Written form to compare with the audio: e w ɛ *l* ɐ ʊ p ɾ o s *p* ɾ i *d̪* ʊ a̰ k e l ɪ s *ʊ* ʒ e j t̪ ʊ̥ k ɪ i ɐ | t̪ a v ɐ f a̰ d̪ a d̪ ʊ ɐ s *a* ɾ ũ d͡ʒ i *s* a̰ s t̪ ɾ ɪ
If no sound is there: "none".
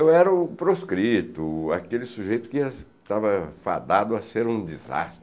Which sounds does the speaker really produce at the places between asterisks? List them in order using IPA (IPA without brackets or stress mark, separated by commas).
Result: ɾ, k, t̪, u, e, z